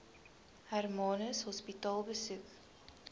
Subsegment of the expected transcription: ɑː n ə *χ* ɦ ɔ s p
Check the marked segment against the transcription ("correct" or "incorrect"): incorrect